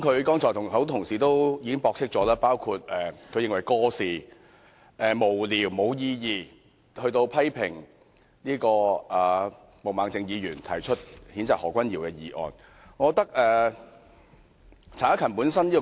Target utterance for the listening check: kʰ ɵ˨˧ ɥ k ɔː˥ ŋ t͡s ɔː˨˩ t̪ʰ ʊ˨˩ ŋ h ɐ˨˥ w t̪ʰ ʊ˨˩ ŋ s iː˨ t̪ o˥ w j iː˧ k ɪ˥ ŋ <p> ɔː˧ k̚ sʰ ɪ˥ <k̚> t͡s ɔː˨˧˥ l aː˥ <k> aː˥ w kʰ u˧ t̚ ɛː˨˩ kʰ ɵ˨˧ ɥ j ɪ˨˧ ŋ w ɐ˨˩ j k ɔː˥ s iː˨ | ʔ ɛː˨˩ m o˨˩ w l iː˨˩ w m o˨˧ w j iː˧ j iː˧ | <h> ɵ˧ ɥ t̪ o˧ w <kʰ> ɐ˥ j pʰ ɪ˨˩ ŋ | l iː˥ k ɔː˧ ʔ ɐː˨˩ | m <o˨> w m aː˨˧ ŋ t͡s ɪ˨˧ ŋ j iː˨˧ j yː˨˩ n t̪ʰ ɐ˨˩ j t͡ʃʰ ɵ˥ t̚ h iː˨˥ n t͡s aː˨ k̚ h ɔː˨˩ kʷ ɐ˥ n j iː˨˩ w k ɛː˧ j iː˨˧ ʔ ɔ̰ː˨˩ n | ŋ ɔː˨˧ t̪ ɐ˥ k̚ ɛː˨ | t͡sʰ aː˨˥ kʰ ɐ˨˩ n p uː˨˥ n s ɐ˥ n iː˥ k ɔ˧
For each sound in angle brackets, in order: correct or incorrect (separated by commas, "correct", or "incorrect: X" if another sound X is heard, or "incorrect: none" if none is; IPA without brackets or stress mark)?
correct, correct, incorrect: p, correct, incorrect: pʰ, correct